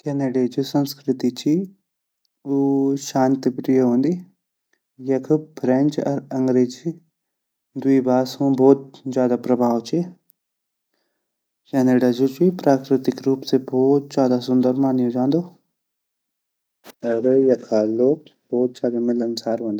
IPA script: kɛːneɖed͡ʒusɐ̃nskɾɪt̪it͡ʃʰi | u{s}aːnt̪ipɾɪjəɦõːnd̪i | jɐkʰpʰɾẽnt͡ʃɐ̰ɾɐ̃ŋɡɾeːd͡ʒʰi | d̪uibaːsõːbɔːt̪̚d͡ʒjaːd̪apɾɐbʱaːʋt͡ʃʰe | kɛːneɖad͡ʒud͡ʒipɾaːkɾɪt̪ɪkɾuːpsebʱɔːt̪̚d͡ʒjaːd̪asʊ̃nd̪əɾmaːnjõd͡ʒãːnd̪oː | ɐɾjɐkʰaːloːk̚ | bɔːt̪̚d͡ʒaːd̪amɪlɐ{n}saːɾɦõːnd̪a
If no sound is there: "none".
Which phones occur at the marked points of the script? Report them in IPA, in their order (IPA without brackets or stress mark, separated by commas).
ʃ, n